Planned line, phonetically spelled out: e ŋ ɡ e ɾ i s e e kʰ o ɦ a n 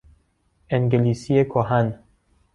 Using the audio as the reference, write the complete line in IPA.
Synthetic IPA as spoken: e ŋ ɡ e l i s i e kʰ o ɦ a n